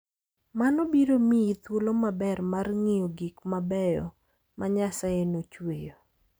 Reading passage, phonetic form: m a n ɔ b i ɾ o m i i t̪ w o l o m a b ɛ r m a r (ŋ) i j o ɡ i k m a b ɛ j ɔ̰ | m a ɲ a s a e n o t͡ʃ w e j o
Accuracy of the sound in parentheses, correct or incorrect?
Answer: correct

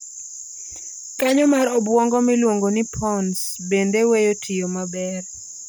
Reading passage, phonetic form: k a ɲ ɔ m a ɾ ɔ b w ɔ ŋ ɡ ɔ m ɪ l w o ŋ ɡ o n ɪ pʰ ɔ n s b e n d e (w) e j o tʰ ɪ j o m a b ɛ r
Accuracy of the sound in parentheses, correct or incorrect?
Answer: correct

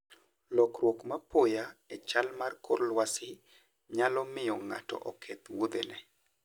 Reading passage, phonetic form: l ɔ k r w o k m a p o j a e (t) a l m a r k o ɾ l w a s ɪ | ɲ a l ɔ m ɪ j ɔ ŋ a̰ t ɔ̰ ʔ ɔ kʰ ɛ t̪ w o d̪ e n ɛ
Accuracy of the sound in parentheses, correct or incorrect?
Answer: incorrect: t͡ʃ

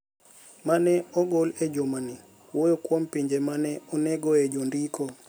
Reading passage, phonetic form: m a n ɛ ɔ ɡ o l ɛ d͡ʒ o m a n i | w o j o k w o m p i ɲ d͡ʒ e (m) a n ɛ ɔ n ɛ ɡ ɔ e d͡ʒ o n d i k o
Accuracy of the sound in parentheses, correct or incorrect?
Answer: correct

